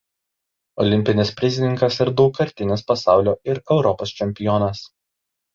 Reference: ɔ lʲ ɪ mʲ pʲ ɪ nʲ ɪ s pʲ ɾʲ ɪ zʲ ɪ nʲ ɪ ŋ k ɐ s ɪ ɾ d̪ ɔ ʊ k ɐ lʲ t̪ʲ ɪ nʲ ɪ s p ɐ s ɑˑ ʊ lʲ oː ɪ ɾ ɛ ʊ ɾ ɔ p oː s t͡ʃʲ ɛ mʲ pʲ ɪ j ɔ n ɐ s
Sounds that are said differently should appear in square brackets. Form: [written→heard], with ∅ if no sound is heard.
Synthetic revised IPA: ɔ lʲ ɪ mʲ pʲ ɪ nʲ ɪ s pʲ ɾʲ ɪ zʲ ɪ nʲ ɪ ŋ k ɐ s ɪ ɾ d̪ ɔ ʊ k ɐ [lʲ→ɾʲ] t̪ʲ ɪ nʲ ɪ s p ɐ s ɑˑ ʊ lʲ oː ɪ ɾ ɛ ʊ ɾ ɔ p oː s t͡ʃʲ ɛ mʲ pʲ ɪ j ɔ n ɐ s

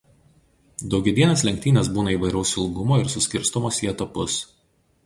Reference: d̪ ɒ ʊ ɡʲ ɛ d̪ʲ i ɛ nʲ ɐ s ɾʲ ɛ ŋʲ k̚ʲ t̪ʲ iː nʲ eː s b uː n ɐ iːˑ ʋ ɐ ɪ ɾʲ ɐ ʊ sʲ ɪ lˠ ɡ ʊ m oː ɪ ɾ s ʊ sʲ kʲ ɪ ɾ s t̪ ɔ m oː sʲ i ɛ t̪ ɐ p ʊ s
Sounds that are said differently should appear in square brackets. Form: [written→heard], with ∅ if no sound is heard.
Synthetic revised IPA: d̪ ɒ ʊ ɡʲ ɛ d̪ʲ i ɛ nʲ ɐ s [ɾʲ→lʲ] ɛ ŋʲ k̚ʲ t̪ʲ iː nʲ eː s b uː n ɐ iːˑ ʋ ɐ ɪ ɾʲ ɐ ʊ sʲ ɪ lˠ ɡ ʊ m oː ɪ ɾ s ʊ sʲ kʲ ɪ ɾ s t̪ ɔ m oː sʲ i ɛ t̪ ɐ p ʊ s

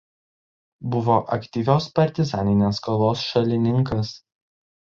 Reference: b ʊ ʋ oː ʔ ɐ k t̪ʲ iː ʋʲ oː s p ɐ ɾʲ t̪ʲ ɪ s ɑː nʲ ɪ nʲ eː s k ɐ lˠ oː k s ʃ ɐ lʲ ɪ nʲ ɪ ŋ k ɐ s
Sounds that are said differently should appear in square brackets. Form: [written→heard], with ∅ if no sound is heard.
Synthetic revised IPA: b ʊ ʋ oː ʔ ɐ k t̪ʲ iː ʋʲ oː s p ɐ ɾʲ t̪ʲ ɪ [s→z] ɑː nʲ ɪ nʲ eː s k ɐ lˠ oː [k→∅] s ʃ ɐ lʲ ɪ nʲ ɪ ŋ k ɐ s

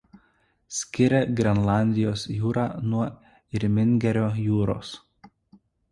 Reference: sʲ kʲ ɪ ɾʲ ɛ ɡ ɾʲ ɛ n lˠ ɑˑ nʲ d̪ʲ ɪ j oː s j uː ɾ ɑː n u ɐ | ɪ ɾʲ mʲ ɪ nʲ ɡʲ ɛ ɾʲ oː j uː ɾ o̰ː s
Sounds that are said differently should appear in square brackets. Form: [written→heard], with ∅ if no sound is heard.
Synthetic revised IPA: sʲ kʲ ɪ ɾʲ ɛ ɡ ɾʲ ɛ n lˠ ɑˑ nʲ d̪ʲ ɪ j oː s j uː ɾ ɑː n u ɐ | ɪ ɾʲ mʲ ɪ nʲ ɡʲ ɛ ɾʲ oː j uː ɾ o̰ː s

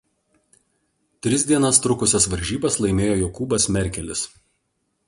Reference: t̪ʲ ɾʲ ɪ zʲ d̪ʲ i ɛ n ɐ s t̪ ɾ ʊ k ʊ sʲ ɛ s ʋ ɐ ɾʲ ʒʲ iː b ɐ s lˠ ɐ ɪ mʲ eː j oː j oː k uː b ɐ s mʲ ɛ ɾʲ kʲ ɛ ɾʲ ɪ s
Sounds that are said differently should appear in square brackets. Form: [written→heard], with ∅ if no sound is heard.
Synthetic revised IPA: t̪ʲ ɾʲ ɪ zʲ d̪ʲ i ɛ n ɐ s t̪ ɾ ʊ k ʊ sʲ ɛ s ʋ ɐ ɾʲ ʒʲ iː b ɐ s lˠ ɐ ɪ mʲ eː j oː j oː k uː b ɐ s mʲ ɛ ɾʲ kʲ ɛ [ɾʲ→lʲ] ɪ s

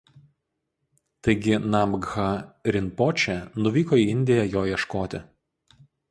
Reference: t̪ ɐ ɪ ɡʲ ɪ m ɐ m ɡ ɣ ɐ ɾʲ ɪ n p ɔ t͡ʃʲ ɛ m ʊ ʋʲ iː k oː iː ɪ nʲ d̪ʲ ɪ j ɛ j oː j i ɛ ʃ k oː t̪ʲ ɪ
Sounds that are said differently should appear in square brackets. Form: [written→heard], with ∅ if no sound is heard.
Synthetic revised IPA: t̪ ɐ ɪ ɡʲ ɪ [m→n] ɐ m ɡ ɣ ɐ ɾʲ ɪ n p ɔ t͡ʃʲ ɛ [m→n] ʊ ʋʲ iː k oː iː ɪ nʲ d̪ʲ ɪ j ɛ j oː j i ɛ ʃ k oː t̪ʲ ɪ

